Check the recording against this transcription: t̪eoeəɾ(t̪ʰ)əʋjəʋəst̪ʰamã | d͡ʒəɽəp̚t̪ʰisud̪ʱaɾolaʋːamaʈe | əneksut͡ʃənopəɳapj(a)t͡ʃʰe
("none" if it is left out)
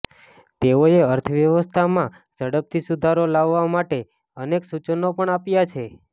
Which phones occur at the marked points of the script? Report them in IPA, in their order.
t̪ʰ, a

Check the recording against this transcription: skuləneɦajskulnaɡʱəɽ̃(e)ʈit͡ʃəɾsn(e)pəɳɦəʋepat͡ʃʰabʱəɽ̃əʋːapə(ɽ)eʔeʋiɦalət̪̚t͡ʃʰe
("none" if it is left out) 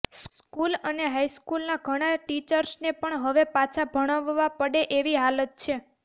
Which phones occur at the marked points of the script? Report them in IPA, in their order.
a, e, ɽ

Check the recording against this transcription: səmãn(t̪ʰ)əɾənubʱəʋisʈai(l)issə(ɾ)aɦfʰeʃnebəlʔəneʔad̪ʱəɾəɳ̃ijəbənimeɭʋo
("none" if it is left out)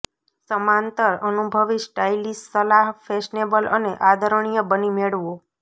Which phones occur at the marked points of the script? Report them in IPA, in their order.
t̪, l, l

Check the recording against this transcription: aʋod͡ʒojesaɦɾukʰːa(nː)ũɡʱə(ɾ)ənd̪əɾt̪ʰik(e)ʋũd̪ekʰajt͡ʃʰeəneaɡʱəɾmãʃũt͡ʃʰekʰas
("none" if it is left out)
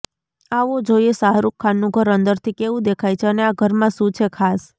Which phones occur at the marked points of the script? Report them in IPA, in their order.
nː, ɾ, e

